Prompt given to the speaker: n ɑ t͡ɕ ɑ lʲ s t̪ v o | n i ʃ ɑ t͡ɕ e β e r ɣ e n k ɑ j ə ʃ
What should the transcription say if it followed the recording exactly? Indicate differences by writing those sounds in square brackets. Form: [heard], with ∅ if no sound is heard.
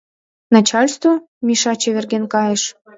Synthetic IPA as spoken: n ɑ t͡ɕ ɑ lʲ s t̪ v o | [m] i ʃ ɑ t͡ɕ e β e r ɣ e n k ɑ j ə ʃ